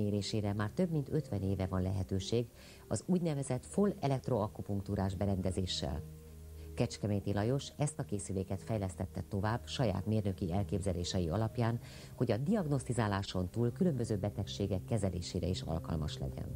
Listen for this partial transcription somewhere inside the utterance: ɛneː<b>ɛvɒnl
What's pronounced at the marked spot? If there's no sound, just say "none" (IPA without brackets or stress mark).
v